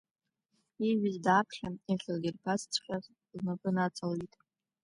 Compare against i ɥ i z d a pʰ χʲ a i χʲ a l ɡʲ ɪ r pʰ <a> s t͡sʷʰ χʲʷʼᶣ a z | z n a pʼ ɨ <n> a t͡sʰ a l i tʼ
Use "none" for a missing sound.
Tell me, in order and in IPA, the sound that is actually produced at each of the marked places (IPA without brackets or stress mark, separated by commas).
a, n